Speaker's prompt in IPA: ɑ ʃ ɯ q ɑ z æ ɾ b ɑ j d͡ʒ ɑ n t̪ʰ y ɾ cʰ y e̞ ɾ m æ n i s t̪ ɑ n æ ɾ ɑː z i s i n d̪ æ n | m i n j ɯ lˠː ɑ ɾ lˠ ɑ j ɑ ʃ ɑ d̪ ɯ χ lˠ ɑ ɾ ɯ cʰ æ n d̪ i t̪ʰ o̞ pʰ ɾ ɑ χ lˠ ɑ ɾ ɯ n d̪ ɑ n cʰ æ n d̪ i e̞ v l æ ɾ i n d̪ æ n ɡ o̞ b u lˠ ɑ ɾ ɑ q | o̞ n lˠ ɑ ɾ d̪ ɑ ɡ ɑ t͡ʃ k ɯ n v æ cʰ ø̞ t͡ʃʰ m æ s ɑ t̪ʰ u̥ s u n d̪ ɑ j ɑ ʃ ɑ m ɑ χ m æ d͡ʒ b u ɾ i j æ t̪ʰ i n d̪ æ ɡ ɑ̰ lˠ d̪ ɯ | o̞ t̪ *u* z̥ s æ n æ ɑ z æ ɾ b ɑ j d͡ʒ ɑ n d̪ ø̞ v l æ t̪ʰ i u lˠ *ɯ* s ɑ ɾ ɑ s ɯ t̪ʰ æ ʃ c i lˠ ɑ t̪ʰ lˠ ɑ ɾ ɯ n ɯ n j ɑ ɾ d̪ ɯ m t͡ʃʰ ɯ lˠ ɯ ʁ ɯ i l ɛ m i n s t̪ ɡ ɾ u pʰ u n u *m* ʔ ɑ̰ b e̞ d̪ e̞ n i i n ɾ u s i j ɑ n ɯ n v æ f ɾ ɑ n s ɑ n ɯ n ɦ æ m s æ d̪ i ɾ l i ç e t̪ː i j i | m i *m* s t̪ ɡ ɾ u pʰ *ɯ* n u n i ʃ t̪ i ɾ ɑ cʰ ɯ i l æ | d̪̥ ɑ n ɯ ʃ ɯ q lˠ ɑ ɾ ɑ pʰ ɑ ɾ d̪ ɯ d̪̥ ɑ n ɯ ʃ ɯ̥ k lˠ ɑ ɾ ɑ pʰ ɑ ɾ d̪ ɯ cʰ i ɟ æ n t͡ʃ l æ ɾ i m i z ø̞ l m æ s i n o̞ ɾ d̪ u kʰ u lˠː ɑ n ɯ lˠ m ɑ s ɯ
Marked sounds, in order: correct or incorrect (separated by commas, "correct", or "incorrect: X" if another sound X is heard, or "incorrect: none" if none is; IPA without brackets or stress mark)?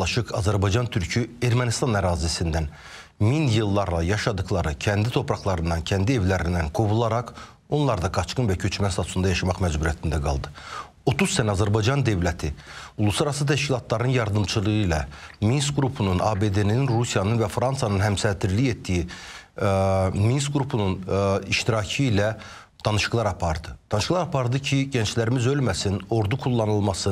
correct, incorrect: u, incorrect: n, incorrect: n, incorrect: u